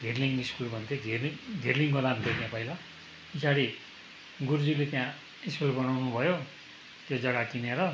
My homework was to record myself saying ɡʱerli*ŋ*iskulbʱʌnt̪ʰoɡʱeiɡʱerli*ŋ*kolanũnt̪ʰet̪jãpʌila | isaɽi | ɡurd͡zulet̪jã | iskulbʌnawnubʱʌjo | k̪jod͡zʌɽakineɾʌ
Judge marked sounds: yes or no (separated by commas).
yes, yes